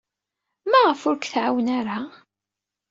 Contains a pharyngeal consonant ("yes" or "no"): yes